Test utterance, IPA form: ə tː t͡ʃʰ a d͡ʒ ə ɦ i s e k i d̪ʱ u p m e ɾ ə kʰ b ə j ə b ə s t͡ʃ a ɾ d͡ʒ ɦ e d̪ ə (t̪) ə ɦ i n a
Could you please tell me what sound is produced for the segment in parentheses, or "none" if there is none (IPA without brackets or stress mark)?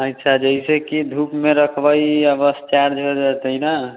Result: t̪